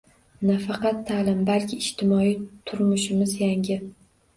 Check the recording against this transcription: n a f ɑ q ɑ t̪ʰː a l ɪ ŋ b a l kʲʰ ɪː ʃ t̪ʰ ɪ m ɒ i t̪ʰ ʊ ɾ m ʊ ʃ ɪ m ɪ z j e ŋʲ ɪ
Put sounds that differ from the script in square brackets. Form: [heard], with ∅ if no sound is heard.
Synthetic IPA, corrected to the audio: n a f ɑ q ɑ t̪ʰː a l ɪ [m] b a l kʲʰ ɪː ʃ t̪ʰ ɪ m ɒ i t̪ʰ ʊ ɾ m ʊ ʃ ɪ m ɪ z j [a] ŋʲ ɪ